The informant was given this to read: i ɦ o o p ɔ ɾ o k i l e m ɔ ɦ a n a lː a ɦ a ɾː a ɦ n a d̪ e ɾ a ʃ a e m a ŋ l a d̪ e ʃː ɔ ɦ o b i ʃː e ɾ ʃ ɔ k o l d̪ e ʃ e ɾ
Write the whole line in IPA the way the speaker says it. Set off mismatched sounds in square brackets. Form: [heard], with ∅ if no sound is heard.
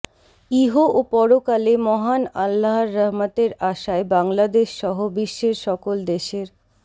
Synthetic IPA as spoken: i ɦ o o p ɔ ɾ o k [a] l e m ɔ ɦ a n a lː a ɦ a ɾː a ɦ [m] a [t̪] e ɾ a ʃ a e [b] a ŋ l a d̪ e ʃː ɔ ɦ o b i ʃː e ɾ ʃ ɔ k o l d̪ e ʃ e ɾ